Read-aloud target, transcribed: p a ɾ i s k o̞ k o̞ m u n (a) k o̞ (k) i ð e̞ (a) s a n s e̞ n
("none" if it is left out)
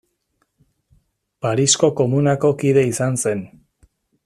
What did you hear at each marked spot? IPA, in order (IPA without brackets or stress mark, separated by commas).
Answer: a, k, i